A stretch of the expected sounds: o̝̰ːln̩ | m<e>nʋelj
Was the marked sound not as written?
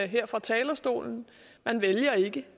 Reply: yes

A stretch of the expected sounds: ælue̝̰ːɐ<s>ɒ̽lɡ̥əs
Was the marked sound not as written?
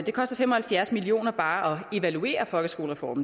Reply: yes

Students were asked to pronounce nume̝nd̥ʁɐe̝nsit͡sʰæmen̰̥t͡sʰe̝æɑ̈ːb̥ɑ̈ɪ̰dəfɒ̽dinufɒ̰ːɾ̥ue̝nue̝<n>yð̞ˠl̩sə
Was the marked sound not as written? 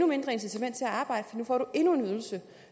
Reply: no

